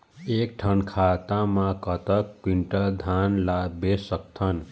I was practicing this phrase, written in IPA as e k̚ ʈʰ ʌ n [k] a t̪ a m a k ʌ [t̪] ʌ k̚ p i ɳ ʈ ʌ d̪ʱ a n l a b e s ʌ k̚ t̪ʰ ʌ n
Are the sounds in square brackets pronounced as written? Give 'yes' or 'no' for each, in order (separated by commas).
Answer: no, yes